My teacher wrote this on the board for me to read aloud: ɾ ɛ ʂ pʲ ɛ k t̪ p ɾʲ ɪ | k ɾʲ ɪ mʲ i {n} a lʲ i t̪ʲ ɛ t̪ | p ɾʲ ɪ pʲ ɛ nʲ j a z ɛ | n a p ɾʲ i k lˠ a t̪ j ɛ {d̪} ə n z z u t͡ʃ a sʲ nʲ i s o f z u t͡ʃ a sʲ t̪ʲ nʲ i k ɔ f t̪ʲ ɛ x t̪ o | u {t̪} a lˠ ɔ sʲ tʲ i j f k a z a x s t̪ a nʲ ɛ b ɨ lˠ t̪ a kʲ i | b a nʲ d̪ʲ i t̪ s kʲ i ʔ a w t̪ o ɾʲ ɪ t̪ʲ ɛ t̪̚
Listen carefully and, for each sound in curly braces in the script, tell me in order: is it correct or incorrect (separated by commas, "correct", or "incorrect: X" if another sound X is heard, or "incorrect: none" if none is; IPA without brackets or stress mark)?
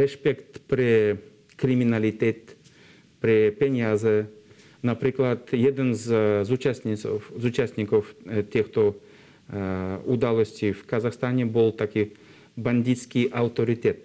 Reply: correct, correct, incorrect: d̪